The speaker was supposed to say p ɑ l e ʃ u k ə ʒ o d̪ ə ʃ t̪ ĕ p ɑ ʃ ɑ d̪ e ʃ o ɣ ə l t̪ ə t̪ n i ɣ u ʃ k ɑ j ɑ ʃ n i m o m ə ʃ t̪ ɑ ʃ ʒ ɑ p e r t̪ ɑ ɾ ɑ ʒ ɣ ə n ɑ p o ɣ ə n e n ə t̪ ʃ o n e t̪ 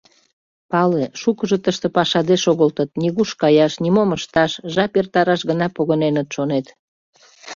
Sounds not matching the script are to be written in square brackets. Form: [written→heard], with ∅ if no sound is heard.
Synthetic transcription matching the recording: p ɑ l e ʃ u k ə ʒ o [d̪→t̪] ə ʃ t̪ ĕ p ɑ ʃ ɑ d̪ e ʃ o ɣ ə l t̪ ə t̪ n i ɣ u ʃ k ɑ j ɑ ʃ n i m o m ə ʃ t̪ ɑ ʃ ʒ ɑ p e r t̪ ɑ ɾ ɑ [ʒ→ʃ] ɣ ə n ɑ p o ɣ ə n e n ə t̪ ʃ o n e t̪